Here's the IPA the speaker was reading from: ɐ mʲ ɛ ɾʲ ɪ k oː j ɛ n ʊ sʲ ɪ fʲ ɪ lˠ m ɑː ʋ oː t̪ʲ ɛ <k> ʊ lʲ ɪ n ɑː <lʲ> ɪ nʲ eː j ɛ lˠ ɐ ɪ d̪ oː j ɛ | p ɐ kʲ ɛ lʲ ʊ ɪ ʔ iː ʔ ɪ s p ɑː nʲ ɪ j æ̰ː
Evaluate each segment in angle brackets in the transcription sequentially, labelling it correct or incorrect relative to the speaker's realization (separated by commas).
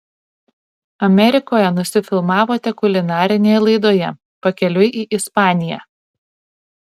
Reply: correct, incorrect